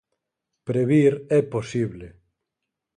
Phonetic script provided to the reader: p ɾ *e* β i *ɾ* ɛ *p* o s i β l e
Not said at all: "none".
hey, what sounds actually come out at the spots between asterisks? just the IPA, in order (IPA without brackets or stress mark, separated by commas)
e, ɾ, p